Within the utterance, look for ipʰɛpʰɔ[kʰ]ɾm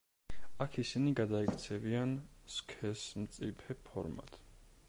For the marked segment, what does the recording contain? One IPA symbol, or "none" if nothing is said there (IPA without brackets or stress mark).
none